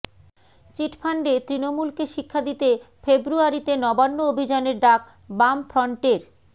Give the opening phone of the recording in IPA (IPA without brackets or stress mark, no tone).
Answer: t͡ɕ